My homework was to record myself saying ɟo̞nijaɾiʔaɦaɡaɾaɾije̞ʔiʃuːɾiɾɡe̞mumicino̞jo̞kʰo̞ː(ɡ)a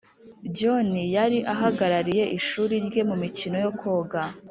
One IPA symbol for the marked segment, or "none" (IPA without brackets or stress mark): ɡ